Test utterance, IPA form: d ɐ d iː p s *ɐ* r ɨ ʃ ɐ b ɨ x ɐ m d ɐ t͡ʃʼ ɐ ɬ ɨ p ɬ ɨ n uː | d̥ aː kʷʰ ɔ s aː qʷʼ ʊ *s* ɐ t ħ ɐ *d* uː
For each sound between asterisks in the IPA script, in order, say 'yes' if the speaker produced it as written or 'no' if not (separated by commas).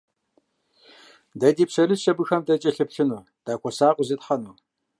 yes, no, no